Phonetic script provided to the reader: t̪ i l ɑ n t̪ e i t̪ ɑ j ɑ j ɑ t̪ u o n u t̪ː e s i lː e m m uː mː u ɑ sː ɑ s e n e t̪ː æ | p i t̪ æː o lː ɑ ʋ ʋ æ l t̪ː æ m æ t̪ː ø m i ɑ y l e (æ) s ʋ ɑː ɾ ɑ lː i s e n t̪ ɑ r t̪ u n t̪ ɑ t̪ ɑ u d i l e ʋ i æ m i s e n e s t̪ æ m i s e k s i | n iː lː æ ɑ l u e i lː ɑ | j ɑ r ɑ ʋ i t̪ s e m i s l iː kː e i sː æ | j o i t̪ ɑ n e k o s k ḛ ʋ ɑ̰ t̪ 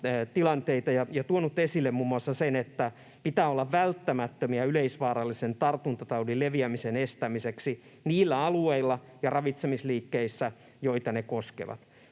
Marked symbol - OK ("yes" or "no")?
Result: no